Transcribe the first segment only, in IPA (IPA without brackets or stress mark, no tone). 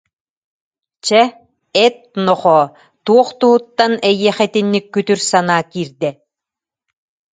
t͡ɕ